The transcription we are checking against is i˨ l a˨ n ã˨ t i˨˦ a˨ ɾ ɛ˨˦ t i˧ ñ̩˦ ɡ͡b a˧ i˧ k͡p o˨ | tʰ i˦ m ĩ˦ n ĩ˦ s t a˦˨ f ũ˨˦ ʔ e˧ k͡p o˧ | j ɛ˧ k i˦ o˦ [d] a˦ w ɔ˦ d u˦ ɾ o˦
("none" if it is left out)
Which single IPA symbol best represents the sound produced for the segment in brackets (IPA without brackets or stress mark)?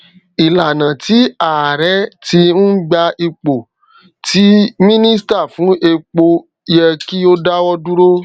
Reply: d